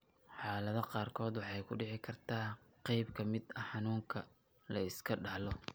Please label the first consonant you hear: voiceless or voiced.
voiceless